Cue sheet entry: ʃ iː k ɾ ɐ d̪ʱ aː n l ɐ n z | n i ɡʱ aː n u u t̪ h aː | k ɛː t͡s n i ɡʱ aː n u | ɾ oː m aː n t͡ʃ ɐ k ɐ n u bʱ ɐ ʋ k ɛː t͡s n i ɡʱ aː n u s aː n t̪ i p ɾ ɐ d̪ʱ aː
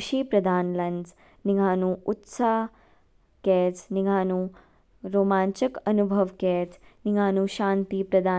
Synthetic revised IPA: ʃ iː p ɾ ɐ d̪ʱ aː n l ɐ n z | n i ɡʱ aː n u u t̪ s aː | k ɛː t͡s n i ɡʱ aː n u | ɾ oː m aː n t͡ʃ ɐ k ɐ n u bʱ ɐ ʋ k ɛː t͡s n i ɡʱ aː n u ʃ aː n t̪ i p ɾ ɐ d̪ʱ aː